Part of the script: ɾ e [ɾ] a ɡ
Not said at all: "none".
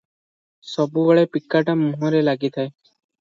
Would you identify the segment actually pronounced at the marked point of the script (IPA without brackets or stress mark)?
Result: l